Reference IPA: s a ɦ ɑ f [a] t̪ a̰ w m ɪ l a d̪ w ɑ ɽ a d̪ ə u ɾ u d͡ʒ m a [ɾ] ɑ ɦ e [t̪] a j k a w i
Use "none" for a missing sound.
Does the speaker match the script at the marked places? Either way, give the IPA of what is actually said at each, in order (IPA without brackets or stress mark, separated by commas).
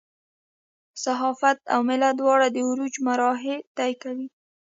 a, ɾ, t̪